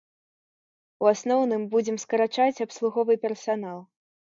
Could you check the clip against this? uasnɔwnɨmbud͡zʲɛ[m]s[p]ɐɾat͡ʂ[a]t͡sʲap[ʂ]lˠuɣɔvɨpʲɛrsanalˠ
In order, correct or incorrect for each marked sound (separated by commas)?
correct, incorrect, correct, incorrect